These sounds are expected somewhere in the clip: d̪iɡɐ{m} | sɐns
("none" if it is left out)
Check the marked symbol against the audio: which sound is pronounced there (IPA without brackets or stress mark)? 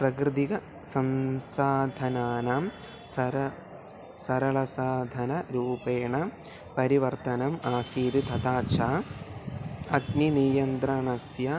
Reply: none